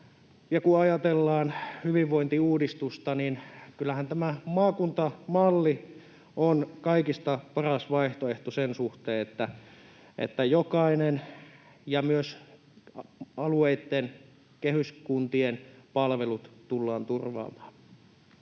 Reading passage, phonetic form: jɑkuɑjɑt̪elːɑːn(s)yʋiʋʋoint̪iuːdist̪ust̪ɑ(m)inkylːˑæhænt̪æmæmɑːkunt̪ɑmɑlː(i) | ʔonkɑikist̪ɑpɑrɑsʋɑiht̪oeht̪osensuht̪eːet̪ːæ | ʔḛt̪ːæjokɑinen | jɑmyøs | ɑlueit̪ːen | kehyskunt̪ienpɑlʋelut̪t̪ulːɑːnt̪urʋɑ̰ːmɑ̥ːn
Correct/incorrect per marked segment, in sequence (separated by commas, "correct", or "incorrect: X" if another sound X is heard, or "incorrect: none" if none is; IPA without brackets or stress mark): incorrect: h, incorrect: n, correct